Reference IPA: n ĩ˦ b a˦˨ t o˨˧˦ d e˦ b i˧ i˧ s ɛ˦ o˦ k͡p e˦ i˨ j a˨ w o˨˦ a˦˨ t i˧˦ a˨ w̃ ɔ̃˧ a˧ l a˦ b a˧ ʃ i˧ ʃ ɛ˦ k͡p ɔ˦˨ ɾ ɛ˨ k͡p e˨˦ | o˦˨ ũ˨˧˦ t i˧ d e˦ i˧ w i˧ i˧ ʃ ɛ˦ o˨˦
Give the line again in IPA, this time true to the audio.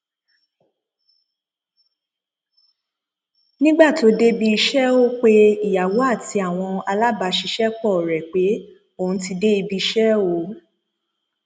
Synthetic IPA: n ĩ˦ ɡ͡b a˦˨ t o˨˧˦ d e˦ b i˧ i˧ ʃ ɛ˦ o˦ k͡p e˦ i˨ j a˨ w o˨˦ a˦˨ t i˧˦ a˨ w̃ ɔ̃˧ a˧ l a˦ b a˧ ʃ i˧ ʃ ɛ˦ k͡p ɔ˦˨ ɾ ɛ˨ k͡p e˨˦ | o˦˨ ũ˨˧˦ t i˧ d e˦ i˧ b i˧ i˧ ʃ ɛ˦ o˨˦